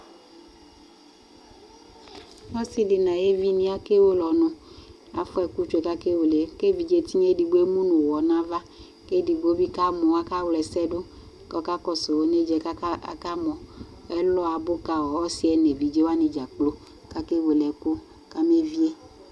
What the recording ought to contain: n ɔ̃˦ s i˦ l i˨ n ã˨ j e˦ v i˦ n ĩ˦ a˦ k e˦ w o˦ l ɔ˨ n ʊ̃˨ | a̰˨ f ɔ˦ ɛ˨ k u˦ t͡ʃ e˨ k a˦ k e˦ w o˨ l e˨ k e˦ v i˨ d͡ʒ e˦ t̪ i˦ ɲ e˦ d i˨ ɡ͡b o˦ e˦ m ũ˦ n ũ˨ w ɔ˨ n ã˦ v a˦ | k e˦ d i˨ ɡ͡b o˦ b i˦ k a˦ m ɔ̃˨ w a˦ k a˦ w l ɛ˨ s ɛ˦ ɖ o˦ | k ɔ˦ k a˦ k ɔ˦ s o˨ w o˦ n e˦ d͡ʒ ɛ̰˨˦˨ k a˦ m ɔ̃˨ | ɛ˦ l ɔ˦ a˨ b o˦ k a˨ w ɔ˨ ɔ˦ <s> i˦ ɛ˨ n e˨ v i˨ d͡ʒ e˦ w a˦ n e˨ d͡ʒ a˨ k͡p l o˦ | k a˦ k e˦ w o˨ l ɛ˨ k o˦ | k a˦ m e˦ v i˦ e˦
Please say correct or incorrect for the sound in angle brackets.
correct